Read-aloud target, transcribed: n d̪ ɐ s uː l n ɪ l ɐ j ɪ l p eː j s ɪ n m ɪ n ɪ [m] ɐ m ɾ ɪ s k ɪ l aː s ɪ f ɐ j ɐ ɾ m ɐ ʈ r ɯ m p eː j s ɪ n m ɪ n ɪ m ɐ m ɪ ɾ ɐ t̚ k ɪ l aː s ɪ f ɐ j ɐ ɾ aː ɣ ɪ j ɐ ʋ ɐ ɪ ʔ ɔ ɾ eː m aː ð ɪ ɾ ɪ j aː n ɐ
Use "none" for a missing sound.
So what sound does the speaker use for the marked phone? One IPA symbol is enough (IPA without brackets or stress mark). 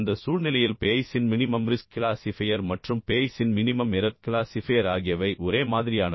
m